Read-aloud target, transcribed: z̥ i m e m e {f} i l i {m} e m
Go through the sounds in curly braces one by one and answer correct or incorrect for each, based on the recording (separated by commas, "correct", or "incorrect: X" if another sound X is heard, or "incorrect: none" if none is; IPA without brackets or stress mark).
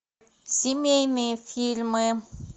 correct, correct